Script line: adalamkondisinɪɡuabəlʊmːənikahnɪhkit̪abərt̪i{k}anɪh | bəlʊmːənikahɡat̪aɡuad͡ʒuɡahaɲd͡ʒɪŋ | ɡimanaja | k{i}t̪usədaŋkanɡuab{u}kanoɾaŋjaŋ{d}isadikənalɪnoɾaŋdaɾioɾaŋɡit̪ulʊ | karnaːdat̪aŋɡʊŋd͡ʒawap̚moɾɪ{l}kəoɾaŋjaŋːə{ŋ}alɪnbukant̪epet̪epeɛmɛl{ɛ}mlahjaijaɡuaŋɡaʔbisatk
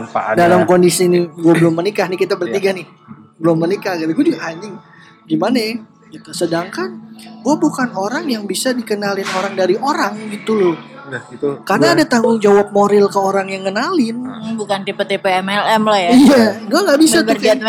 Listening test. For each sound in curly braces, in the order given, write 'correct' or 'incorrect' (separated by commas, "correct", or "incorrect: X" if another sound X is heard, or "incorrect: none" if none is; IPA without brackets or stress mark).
incorrect: ɡ, correct, correct, incorrect: b, correct, incorrect: n, correct